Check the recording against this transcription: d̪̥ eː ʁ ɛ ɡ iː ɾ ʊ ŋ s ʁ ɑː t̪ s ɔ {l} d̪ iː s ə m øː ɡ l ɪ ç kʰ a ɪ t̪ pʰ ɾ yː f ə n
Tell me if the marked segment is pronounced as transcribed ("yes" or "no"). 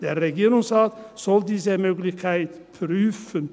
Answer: yes